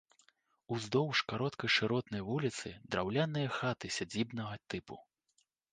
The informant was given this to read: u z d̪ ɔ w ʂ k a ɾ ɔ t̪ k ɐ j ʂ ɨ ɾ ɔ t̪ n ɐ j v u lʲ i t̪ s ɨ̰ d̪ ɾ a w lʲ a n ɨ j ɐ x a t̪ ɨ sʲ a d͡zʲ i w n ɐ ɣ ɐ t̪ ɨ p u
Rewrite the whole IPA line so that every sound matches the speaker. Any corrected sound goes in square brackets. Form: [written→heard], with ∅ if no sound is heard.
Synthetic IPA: u z d̪ ɔ w ʂ k a ɾ ɔ t̪ k ɐ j ʂ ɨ ɾ ɔ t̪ n ɐ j v u lʲ i t̪ s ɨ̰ d̪ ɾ a w lʲ a n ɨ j ɐ x a t̪ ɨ sʲ a d͡zʲ i [w→b] n ɐ ɣ ɐ t̪ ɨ p u